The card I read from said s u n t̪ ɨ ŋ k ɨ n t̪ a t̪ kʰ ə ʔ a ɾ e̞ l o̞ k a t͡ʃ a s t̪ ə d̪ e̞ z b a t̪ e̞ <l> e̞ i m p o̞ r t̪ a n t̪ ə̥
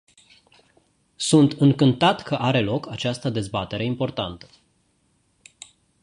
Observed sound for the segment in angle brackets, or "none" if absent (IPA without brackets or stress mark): ɾ